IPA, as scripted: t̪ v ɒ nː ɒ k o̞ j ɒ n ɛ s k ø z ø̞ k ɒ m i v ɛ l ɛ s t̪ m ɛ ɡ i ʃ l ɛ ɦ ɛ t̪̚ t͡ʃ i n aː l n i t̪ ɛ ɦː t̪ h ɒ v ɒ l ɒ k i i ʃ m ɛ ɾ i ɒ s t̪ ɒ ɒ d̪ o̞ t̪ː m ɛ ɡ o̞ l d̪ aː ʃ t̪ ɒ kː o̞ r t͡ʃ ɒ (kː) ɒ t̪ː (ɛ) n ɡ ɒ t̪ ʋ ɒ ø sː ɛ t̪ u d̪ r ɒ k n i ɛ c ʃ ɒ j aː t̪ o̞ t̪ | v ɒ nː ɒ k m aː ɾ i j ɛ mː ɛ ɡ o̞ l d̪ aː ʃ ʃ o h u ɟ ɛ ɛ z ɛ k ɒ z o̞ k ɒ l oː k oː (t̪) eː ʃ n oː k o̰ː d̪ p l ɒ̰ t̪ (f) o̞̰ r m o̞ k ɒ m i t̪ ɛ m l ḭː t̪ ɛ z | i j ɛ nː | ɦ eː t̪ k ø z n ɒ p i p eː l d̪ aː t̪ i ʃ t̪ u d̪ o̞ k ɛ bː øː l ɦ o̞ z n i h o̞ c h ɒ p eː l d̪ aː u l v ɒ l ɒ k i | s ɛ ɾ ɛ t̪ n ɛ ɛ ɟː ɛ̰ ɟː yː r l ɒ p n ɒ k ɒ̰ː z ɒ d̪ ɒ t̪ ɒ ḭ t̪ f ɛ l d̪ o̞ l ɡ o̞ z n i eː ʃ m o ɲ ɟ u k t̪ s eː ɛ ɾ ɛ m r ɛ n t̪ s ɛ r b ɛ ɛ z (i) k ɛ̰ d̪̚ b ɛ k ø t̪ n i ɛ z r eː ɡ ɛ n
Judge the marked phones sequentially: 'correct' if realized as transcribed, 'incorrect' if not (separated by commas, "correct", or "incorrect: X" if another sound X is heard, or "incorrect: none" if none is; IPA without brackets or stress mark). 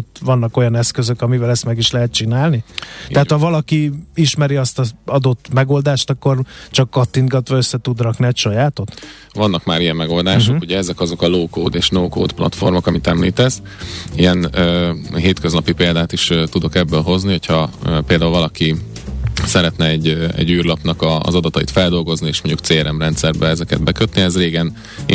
correct, incorrect: i, incorrect: d̪, correct, incorrect: ɛ